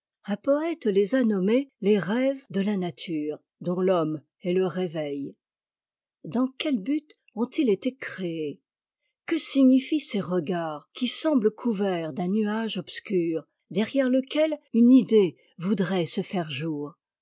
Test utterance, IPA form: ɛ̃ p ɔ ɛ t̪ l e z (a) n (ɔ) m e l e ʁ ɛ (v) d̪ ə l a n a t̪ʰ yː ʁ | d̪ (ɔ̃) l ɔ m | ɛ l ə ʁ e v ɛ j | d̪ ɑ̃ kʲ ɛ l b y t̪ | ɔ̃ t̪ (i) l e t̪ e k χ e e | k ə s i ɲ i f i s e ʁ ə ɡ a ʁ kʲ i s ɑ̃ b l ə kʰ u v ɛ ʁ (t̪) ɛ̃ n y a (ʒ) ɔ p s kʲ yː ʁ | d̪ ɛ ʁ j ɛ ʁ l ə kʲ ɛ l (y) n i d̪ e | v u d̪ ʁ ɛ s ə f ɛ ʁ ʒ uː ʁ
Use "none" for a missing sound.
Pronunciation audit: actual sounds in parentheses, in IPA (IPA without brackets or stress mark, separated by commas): a, ɔ, v, ɔ̃, i, d̪, ʒ, y